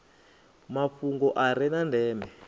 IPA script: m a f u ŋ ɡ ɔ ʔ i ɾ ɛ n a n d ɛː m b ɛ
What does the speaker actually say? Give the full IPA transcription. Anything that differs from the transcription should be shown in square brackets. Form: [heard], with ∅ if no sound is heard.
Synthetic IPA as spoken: m a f u ŋ ɡ ɔ ʔ [a] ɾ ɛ n a n d ɛː m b ɛ